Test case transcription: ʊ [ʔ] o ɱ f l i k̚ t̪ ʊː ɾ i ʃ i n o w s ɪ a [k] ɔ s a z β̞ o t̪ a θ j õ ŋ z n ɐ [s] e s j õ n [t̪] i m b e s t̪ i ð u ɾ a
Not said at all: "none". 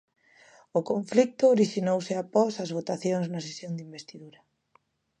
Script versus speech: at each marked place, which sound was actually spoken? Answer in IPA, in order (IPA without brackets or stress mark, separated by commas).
k, p, s, d̪